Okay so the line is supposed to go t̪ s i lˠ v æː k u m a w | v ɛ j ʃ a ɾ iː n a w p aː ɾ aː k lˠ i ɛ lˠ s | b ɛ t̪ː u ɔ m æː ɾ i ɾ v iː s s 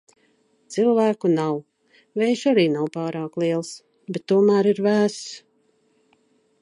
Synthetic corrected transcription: t̪ s i lˠ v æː k u n a w | v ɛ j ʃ a ɾ iː n a w p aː ɾ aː k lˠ i ɛ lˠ s | b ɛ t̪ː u ɔ m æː ɾ i ɾ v æː s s